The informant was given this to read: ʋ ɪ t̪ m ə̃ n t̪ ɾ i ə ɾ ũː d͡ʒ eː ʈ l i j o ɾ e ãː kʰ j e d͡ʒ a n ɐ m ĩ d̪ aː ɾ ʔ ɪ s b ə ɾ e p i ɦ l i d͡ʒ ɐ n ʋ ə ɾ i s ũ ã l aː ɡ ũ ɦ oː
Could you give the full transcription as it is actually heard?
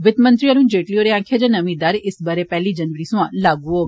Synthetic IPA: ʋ ɪ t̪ m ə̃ n t̪ ɾ i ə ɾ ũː d͡ʒ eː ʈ l i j o ɾ e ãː kʰ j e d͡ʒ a n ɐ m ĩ d̪ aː ɾ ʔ ɪ s b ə ɾ e p ɛ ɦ l i d͡ʒ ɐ n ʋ ə ɾ i s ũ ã l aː ɡ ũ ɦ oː